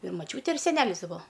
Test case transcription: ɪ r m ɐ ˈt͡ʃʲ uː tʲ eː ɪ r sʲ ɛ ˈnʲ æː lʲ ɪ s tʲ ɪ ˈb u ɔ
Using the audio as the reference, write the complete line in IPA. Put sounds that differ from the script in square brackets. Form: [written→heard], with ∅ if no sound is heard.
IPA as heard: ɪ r m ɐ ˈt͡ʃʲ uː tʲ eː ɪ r sʲ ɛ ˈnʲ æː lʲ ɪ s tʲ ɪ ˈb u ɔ